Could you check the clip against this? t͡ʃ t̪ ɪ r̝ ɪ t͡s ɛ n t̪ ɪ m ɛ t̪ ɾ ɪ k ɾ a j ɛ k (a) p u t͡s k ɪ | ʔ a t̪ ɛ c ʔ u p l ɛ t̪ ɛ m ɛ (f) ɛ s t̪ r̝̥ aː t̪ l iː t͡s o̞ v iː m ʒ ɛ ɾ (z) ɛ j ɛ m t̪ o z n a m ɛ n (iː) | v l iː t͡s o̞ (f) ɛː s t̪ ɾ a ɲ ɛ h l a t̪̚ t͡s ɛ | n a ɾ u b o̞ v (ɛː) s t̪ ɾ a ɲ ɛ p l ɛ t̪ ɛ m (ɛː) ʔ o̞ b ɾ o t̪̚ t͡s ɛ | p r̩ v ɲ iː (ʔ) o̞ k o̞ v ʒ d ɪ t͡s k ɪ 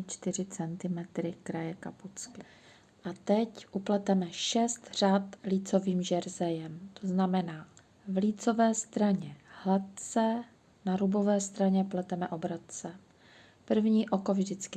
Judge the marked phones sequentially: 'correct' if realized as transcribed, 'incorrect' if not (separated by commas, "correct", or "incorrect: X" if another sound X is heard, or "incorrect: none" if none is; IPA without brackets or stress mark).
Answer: correct, incorrect: ʃ, correct, incorrect: aː, incorrect: v, correct, incorrect: ɛ, correct